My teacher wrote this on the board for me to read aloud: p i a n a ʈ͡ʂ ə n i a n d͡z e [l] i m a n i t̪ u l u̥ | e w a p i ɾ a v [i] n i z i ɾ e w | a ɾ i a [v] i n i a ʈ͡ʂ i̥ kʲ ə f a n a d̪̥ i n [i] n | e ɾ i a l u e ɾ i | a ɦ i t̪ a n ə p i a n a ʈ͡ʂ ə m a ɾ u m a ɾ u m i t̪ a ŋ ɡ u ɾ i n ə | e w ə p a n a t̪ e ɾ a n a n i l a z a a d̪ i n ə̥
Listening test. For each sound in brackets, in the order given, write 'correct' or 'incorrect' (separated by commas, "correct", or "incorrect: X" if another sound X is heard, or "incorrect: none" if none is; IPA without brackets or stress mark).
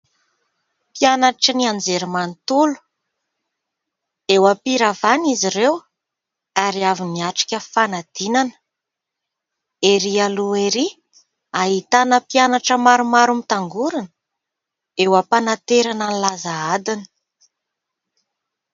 incorrect: ɾ, incorrect: a, correct, incorrect: a